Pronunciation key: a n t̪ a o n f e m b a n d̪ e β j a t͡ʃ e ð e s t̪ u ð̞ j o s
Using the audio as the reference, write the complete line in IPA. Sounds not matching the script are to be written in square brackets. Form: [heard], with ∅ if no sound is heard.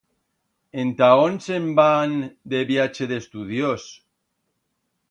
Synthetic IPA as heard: [e] n t̪ a o n [s] e m b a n d̪ e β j a t͡ʃ e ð e s t̪ u ð̞ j o s